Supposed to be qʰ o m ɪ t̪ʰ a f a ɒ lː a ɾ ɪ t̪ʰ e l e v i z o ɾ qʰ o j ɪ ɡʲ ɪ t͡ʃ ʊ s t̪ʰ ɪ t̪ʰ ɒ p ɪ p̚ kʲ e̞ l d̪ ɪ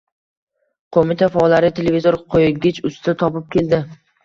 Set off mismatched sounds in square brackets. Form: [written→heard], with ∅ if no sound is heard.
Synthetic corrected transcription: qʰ o m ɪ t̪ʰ a f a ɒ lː a ɾ ɪ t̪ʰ e l e v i z o ɾ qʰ o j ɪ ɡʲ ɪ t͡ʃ ʊ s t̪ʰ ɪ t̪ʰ ɒ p ɪ p̚ kʲ e̞ l d̪ ɪ